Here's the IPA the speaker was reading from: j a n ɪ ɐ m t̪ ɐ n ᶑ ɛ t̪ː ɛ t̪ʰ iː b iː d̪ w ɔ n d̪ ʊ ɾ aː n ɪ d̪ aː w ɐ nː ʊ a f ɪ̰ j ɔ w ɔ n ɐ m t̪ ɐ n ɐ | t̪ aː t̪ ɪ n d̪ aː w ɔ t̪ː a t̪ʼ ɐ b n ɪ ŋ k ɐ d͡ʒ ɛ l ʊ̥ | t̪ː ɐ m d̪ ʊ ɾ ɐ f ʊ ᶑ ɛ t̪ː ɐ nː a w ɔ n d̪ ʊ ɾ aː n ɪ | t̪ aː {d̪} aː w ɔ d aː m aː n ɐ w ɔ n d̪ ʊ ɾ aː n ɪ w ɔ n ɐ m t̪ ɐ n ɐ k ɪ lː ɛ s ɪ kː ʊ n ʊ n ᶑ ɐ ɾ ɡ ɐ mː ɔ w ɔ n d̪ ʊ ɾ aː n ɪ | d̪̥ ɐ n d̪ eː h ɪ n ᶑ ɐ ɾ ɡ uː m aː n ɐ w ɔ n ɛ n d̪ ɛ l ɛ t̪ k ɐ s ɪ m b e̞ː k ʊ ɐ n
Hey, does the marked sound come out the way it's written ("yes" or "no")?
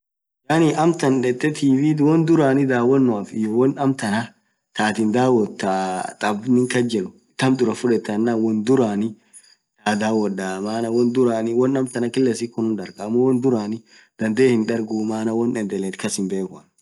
yes